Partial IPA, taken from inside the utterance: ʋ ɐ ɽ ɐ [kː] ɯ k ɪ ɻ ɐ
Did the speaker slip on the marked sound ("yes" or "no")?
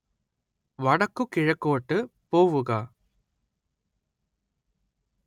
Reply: no